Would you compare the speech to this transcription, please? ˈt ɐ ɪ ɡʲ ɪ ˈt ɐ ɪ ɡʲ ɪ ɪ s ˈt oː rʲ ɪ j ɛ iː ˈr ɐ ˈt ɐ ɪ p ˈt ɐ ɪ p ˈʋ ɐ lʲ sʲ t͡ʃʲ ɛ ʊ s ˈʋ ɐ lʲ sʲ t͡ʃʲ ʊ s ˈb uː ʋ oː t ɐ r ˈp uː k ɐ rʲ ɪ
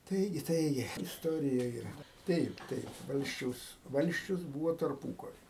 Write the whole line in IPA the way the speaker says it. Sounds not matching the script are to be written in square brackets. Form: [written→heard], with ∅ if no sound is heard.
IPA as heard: ˈt ɐ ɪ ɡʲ ɪ ˈt ɐ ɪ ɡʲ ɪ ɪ s ˈt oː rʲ ɪ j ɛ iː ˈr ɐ ˈt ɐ ɪ p ˈt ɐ ɪ p ˈʋ ɐ lʲ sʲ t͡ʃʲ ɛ ʊ s ˈʋ ɐ lʲ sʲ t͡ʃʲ ʊ s ˈb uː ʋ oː t ɐ r ˈp uː k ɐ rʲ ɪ